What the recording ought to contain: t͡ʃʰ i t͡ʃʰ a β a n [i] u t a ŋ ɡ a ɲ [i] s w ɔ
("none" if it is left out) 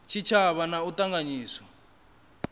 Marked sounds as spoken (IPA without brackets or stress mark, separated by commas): a, iː